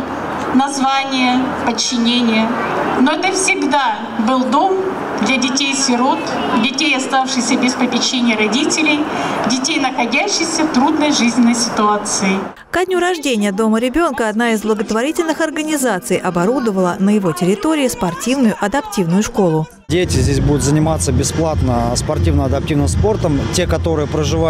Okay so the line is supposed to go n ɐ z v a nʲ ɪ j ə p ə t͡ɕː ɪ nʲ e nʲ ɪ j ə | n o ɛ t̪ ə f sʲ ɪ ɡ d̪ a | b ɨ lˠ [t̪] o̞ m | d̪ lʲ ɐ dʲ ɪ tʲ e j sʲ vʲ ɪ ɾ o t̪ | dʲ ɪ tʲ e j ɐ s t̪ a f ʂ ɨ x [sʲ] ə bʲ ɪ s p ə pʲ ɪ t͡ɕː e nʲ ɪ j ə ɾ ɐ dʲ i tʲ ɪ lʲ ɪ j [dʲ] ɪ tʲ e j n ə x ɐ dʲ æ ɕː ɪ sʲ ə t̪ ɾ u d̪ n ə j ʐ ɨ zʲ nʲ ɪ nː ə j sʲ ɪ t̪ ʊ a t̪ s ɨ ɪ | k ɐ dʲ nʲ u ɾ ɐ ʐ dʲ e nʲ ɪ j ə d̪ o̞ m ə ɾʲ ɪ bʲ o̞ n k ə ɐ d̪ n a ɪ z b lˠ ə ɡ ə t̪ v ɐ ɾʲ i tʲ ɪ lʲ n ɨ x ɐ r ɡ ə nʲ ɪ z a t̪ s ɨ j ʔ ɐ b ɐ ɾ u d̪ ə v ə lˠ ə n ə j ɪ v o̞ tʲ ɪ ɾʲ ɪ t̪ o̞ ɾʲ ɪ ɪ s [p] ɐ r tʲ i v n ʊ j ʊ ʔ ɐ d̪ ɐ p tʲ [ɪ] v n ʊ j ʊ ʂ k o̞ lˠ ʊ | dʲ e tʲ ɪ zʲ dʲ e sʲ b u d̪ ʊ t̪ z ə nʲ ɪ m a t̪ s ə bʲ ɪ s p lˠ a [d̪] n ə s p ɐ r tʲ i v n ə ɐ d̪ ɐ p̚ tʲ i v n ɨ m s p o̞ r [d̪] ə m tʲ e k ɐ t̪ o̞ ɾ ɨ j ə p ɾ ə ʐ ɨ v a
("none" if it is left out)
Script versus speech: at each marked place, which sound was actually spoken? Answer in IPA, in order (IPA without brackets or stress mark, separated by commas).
d̪, sʲ, dʲ, p, i, t̪, t̪